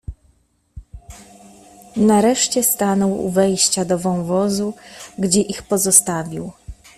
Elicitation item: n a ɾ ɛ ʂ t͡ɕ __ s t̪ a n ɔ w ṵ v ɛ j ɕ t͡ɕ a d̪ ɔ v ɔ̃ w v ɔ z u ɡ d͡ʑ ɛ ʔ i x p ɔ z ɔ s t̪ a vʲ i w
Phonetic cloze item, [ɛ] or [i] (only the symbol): ɛ